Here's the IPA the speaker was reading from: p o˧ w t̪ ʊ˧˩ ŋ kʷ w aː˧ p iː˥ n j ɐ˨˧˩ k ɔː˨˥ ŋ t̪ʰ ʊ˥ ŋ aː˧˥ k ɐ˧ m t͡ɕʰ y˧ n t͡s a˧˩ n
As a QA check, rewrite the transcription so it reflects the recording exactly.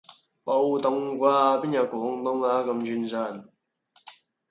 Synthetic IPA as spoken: p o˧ w t̪ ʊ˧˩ ŋ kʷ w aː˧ p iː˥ n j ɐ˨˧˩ k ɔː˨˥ ŋ t̪ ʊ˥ ŋ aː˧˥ k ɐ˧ m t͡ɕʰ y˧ n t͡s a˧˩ n